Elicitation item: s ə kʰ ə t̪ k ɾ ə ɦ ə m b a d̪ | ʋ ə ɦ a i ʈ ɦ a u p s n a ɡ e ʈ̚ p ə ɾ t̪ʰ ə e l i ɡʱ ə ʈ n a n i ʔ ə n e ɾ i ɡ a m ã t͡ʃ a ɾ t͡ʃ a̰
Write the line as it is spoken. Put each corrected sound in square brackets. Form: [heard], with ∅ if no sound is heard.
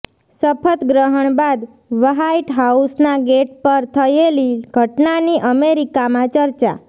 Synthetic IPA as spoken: s ə [pʰ] ə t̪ [ɡ] ɾ ə ɦ ə [ɳ] b a d̪ | ʋ ə ɦ a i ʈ ɦ a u [∅] s n a ɡ e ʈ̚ p ə ɾ t̪ʰ ə e l i ɡʱ ə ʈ n a n i ʔ ə [m] e ɾ i [k] a m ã t͡ʃ [ə] ɾ t͡ʃ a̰